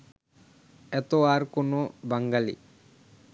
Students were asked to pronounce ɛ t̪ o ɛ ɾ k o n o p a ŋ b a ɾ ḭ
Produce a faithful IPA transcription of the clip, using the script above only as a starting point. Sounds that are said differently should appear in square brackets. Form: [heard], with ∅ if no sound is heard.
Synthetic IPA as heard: ɛ t̪ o [a] ɾ k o n o [b] a ŋ [ɡ] a [l] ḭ